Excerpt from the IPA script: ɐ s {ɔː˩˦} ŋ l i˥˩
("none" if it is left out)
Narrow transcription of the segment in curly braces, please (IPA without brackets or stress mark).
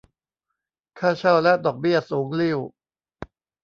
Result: uː˩˦